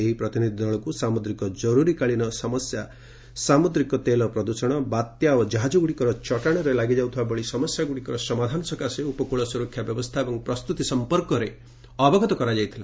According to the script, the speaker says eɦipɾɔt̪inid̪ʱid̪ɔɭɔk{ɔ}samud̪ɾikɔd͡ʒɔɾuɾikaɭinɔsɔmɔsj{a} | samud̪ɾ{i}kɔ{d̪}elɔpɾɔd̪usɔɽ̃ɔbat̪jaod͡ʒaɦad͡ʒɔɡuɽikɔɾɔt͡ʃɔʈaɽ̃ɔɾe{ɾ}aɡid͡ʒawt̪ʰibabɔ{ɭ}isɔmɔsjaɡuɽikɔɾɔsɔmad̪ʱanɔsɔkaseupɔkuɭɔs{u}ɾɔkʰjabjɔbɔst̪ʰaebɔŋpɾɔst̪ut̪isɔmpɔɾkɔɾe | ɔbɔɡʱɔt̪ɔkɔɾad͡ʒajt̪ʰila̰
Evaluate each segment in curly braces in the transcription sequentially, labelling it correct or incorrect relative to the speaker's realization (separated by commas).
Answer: incorrect, correct, correct, incorrect, incorrect, correct, correct